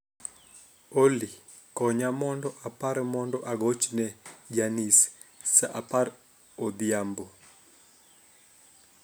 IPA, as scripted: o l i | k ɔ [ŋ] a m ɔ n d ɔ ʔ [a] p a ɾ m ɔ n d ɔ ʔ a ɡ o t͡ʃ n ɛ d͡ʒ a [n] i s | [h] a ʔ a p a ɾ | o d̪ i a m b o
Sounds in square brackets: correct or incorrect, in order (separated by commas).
incorrect, correct, correct, incorrect